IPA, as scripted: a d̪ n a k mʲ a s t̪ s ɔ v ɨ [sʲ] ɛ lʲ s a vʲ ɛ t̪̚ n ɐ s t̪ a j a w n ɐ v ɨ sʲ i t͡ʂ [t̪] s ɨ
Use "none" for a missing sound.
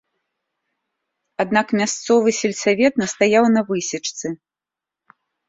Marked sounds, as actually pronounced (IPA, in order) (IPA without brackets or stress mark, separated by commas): sʲ, t̪